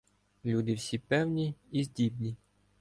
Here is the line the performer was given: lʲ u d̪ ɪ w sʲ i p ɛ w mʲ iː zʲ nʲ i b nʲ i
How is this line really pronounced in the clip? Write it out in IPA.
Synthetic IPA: lʲ u d̪ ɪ w sʲ i p ɛ w nʲ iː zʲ dʲ i b nʲ i

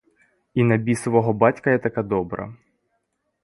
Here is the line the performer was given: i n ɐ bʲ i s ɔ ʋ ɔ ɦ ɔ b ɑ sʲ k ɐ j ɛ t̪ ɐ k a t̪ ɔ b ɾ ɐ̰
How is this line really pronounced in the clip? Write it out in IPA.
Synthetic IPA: i n ɐ bʲ i s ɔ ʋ ɔ ɦ ɔ b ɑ tʲ k ɐ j ɛ t̪ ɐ k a d̪ ɔ b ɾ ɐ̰

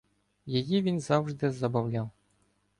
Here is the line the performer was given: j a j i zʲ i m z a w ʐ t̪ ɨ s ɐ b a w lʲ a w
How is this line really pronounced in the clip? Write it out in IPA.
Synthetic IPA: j a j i vʲ i n z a w ʐ d̪ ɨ z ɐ b a w lʲ a w

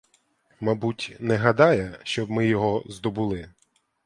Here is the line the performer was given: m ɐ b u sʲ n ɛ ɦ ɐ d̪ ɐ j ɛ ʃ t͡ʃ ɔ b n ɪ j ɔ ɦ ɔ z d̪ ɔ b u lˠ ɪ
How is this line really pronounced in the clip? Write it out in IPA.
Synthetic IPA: m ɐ b u tʲ n ɛ ɦ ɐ d̪ ɑ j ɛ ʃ t͡ʃ ɔ b m ɪ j ɔ ɦ ɔ z d̪ ɔ b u lˠ ɪ

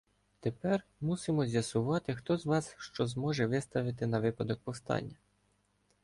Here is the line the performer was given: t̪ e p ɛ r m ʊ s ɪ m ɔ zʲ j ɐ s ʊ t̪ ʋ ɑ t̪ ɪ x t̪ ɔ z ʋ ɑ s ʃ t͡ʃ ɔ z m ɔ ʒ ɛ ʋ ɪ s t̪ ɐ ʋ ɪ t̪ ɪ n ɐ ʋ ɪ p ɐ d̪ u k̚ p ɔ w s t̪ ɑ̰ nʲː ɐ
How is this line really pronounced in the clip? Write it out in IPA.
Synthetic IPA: t̪ e p ɛ r m u s ɪ m ɔ zʲ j ɐ s ʊ ʋ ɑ t̪ ɪ x t̪ ɔ z ʋ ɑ s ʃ t͡ʃ ɔ z m ɔ ʒ ɛ ʋ ɪ s t̪ ɐ ʋ ɪ t̪ ɪ n ɐ ʋ ɪ p ɐ d̪ ɔ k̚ p ɔ w s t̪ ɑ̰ nʲː ɐ

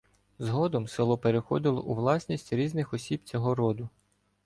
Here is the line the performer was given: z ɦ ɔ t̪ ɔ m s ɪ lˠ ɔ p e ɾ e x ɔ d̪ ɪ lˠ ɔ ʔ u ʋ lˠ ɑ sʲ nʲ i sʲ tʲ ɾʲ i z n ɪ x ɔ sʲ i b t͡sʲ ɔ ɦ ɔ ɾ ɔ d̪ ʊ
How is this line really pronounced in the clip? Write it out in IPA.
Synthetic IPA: z ɦ ɔ d̪ ɔ m s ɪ lˠ ɔ p e ɾ e x ɔ d̪ ɪ lˠ ɔ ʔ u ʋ lˠ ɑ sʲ nʲ i sʲ tʲ ɾʲ i z n ɪ x ɔ sʲ i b t͡sʲ ɔ ɦ ɔ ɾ ɔ d̪ ʊ

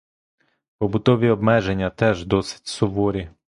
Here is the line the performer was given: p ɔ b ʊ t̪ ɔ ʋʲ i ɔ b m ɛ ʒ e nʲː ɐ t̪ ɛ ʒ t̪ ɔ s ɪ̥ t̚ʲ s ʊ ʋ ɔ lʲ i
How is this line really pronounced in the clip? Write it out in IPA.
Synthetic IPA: p ɔ b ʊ t̪ ɔ ʋʲ i ɔ b m ɛ ʒ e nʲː ɐ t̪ ɛ ʒ d̪ ɔ s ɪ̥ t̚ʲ s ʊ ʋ ɔ ɾʲ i

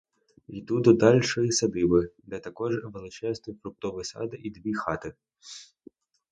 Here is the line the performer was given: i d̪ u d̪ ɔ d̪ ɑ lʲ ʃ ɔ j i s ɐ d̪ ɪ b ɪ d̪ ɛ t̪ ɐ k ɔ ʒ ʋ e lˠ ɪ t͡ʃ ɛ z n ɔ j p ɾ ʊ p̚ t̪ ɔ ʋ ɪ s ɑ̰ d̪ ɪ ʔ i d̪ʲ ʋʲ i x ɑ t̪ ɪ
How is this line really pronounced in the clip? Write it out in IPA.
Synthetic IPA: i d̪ u d̪ ɔ d̪ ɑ lʲ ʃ ɔ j i s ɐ d̪ ɪ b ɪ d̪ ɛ t̪ ɐ k ɔ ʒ ʋ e lˠ ɪ t͡ʃ ɛ z n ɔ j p ɾ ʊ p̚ t̪ ɔ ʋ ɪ s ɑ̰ d̪ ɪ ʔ i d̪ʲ ʋʲ i x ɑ t̪ ɪ

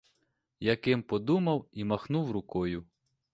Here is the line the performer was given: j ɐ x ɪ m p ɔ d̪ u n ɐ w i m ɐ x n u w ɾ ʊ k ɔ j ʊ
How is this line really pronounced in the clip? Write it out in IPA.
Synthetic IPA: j ɐ k ɪ m p ɔ d̪ u m ɐ w i m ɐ x n u w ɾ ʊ k ɔ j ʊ

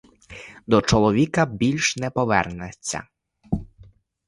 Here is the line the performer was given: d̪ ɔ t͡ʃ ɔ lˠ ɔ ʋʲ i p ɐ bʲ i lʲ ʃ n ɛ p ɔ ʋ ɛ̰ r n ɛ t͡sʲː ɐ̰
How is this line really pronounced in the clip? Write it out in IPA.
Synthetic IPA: d̪ ɔ t͡ʃ ɔ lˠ ɔ ʋʲ i k ɐ bʲ i lʲ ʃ n ɛ p ɔ ʋ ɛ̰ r n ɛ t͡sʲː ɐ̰

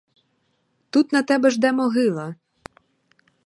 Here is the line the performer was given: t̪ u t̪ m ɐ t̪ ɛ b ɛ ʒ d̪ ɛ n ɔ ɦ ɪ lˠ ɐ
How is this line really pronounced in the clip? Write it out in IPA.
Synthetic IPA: t̪ u t̪ n ɐ t̪ ɛ b ɛ ʒ d̪ ɛ m ɔ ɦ ɪ lˠ ɐ

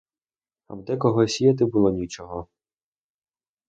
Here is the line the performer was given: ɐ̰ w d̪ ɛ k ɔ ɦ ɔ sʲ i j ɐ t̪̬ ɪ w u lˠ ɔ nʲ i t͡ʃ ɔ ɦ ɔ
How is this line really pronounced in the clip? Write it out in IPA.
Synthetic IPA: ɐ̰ w d̪ ɛ k ɔ ɦ ɔ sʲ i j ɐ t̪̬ ɪ b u lˠ ɔ nʲ i t͡ʃ ɔ ɦ ɔ

